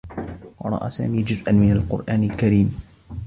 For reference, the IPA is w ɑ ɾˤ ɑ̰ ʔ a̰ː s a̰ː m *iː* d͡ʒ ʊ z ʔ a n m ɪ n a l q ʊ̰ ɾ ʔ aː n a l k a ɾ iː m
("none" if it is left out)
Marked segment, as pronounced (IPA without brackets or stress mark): iː